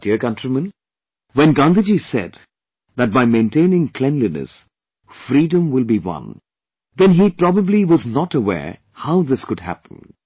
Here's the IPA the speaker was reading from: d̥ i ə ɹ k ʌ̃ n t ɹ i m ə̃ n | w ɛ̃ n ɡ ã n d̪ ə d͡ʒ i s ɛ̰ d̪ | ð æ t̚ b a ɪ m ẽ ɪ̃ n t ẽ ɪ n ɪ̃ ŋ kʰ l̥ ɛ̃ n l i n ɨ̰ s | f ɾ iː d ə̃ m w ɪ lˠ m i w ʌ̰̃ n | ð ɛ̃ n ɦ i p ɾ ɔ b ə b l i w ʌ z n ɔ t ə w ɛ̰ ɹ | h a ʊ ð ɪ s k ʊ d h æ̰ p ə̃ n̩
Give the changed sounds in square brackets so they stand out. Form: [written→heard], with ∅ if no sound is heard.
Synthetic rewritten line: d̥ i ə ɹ k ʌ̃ n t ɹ i m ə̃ n | w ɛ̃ n ɡ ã n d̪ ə d͡ʒ i s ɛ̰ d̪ | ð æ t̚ b a ɪ m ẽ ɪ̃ n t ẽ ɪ n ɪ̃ ŋ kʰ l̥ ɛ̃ n l i n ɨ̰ s | f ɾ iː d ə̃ m w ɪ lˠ [m→b] i w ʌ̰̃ n | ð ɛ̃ n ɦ i p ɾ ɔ b ə b l i w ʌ z n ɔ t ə w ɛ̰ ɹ | h a ʊ ð ɪ s k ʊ d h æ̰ p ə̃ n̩